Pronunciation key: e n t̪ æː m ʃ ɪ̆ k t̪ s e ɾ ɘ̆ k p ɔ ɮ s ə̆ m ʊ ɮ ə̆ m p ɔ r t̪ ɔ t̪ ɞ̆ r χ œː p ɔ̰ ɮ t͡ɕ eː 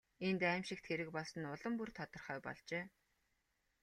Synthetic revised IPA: e n t̪ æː m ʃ ɪ̆ k t̪ x e ɾ ɘ̆ k p ɔ ɮ s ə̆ n ʊ ɮ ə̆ m p u r t̪ʰ ɔ t̪ ɞ̆ r χ œː p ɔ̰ ɮ t͡ɕ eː